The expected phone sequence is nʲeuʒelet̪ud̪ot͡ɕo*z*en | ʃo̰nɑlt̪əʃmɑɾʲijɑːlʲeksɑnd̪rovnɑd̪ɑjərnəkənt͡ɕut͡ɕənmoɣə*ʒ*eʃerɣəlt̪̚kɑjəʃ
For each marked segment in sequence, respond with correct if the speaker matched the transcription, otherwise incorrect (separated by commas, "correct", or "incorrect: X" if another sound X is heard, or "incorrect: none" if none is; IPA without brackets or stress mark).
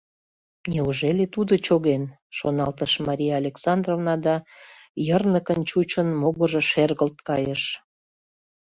incorrect: ɣ, correct